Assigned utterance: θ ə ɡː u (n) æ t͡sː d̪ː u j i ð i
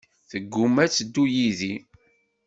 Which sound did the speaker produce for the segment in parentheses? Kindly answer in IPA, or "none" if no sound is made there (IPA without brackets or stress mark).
m